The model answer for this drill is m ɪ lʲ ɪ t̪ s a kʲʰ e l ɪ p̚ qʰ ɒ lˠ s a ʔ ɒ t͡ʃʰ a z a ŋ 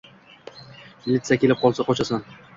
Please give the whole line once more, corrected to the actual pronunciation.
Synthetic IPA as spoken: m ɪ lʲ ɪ t̪ s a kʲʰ e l ɪ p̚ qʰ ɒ lˠ s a q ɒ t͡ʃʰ a s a n